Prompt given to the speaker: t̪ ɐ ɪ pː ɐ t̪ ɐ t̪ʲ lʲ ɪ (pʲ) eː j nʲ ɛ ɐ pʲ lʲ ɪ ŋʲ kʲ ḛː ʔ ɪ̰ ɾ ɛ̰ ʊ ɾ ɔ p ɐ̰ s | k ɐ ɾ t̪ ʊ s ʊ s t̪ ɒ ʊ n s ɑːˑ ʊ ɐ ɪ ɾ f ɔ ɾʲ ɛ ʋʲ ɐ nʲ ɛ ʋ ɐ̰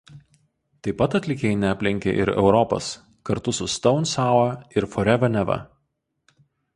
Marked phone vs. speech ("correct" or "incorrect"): incorrect